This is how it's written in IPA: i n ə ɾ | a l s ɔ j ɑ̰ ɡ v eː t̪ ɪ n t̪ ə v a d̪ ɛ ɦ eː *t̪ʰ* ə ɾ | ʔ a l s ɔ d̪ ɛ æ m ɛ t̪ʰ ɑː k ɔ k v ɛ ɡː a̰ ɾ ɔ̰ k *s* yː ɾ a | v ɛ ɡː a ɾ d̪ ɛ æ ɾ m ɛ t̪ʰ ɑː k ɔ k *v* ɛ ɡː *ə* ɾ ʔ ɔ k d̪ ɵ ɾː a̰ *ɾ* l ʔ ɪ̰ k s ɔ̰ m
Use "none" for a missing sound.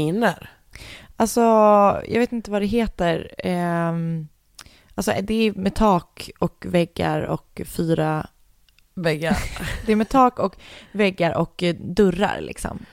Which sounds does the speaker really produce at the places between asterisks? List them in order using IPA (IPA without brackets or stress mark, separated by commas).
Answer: t̪, f, v, a, ɾ